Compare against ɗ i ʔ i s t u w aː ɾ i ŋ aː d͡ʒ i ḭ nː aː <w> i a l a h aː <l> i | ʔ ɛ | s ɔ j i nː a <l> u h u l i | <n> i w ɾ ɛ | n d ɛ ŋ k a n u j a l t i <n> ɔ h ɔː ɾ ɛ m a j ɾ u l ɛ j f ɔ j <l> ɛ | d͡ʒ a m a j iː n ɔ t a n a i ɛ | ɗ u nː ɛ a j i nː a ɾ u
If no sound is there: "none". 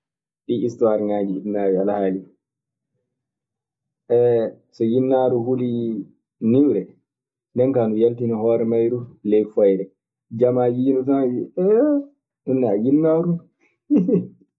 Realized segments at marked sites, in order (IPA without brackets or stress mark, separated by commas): w, l, ɾ, n, n, ɾ